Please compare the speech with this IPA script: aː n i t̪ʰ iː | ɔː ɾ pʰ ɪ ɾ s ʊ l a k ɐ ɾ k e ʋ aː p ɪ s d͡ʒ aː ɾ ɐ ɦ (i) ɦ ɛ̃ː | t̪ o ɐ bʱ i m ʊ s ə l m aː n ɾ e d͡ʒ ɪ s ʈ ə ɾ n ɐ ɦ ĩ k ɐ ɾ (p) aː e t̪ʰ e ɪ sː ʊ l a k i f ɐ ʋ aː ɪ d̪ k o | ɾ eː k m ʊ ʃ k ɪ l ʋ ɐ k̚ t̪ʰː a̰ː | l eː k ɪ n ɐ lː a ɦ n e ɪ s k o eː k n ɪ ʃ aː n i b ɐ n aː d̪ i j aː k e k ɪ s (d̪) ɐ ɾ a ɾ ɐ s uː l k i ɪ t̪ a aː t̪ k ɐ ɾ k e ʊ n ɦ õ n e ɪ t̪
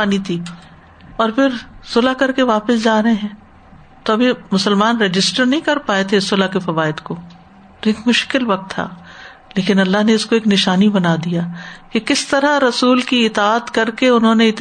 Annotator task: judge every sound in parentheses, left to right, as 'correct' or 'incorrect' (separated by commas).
incorrect, correct, incorrect